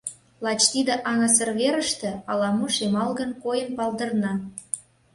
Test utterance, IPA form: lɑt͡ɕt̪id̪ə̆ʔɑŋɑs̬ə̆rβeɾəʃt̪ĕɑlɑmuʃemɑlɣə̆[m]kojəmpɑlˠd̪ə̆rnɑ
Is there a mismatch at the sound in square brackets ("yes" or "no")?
yes